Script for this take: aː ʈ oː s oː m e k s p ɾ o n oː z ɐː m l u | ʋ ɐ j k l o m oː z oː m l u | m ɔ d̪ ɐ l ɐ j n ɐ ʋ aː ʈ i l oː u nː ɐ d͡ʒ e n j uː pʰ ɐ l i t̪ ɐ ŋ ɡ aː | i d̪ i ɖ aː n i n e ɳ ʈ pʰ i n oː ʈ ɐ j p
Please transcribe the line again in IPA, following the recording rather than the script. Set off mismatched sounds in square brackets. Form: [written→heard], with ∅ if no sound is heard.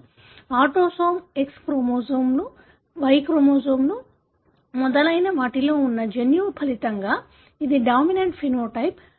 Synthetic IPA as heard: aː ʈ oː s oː m e k s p ɾ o [n→m] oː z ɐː m l u | ʋ ɐ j k [l→ɾ] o m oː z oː m l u | m ɔ d̪ ɐ l ɐ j n ɐ ʋ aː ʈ i l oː u nː ɐ d͡ʒ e n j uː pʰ ɐ l i t̪ ɐ ŋ ɡ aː | i d̪ i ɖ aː [n→m] i n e ɳ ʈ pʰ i n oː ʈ ɐ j p